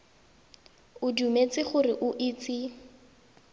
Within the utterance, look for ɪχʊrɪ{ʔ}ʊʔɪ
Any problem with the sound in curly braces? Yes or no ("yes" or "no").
no